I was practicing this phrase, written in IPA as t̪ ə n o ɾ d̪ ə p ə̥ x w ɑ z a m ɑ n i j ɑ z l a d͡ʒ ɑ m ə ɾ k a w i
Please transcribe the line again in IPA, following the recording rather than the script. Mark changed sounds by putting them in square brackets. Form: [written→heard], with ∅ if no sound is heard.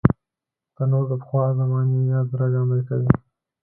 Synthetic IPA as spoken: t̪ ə n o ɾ d̪ ə p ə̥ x w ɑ z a m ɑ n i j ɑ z [l→ɾ] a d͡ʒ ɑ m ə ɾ k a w i